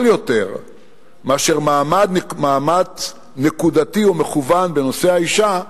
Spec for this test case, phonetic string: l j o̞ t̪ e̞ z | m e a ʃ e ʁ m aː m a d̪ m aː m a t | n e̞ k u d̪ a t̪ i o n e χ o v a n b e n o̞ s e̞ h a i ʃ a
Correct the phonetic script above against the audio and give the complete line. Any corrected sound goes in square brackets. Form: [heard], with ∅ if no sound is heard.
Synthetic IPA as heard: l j o̞ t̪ e̞ [ʁ] | m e a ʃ e ʁ m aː m a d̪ m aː m a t | n e̞ k u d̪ a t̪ i o [m] e χ [u] v a n b e n o̞ s e̞ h a i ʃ a